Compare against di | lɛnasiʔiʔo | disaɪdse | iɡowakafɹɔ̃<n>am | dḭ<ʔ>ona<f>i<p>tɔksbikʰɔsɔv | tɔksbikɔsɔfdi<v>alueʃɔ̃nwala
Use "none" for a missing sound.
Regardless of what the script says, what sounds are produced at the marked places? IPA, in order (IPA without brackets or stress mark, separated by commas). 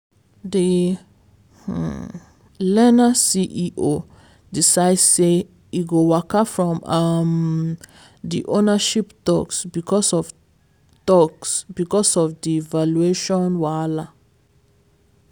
m, ʔ, ʃ, p, v